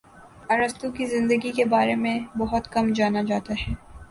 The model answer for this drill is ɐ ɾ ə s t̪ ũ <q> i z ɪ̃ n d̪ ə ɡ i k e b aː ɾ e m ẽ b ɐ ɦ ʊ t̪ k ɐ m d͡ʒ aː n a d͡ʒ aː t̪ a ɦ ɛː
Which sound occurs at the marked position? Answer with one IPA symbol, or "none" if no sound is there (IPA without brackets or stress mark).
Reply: k